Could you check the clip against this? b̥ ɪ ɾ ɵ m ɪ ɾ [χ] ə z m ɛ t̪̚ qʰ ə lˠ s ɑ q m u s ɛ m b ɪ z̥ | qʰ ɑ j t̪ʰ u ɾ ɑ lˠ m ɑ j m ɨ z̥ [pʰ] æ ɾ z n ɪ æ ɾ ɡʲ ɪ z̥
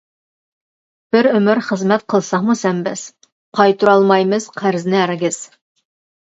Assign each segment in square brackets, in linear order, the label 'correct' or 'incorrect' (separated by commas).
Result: correct, incorrect